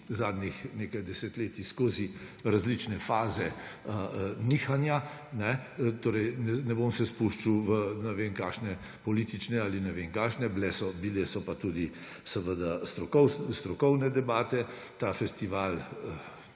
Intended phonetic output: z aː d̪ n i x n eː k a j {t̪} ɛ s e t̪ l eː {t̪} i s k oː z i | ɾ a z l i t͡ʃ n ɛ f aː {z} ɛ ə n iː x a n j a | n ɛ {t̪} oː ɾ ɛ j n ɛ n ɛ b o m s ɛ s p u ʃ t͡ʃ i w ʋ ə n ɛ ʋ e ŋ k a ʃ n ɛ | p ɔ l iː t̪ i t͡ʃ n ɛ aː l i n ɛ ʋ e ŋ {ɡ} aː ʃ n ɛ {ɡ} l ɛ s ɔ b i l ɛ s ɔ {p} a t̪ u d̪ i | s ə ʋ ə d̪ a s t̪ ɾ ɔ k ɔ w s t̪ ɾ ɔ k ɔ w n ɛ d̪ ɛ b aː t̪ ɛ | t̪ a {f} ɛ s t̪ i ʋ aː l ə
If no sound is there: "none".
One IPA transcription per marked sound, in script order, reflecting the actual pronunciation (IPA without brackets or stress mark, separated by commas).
d̪, t̪, z, t̪, k, b, p, f